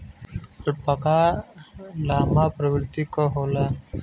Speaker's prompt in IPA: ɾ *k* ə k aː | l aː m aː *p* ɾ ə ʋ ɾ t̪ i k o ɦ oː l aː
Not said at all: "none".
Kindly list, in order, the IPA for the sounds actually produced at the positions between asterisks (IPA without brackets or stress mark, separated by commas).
p, p